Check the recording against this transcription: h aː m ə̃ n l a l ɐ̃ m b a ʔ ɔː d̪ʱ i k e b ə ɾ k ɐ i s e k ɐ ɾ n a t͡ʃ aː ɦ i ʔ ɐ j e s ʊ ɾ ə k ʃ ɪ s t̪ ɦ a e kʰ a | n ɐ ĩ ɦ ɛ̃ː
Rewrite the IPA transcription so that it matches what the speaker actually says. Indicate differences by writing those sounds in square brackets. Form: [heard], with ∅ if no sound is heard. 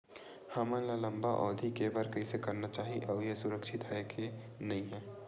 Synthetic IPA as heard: h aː m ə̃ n l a l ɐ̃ m b a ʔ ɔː d̪ʱ i k e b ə ɾ k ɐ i s e k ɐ ɾ n a t͡ʃ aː ɦ i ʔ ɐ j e s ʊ ɾ ə k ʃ ɪ [∅] t̪ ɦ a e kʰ [e] | n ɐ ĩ ɦ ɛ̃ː